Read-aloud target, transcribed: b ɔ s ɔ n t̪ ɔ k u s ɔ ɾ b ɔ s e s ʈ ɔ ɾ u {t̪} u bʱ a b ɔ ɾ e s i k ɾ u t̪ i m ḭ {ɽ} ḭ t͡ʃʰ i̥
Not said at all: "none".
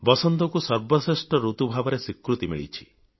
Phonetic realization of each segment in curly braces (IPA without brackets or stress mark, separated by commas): t̪, ɭ